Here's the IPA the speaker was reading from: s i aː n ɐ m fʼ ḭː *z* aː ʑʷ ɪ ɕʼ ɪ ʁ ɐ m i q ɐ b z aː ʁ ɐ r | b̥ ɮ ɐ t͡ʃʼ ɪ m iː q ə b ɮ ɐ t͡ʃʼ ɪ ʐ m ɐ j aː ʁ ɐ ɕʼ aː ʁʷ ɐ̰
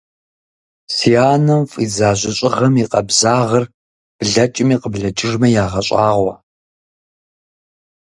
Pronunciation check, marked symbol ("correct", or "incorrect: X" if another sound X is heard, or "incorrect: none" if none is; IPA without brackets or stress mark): correct